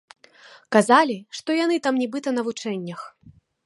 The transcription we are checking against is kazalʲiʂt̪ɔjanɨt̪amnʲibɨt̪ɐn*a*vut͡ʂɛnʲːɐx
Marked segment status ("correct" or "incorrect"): incorrect